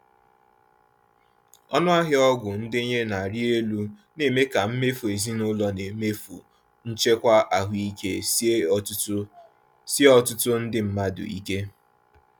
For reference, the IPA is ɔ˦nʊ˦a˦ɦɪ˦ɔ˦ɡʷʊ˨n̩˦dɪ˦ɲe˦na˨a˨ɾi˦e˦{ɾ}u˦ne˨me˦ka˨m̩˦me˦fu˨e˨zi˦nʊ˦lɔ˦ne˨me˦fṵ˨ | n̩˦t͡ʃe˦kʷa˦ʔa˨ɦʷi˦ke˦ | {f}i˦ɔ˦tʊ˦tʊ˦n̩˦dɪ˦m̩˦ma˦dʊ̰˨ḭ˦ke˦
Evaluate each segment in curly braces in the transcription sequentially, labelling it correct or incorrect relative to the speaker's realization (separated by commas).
incorrect, incorrect